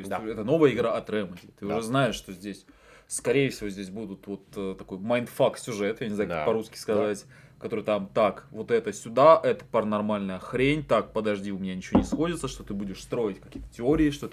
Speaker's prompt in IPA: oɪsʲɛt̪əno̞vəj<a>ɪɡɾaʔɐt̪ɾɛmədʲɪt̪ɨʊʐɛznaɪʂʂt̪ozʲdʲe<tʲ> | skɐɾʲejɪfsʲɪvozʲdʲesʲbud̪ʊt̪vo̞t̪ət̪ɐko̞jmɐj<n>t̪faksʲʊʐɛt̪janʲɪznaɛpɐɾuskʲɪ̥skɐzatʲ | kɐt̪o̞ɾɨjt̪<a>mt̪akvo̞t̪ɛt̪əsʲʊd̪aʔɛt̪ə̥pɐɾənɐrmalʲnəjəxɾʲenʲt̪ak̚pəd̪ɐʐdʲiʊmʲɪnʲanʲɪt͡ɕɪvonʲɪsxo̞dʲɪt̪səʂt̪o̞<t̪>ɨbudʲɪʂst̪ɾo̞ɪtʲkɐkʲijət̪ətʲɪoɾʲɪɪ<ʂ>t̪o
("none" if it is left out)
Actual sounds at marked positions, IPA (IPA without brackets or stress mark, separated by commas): ə, sʲ, n, a, t̪, ʂ